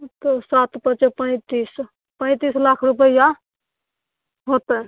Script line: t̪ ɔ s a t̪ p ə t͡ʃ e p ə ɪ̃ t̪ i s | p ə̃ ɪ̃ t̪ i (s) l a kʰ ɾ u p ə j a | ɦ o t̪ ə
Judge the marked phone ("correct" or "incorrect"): correct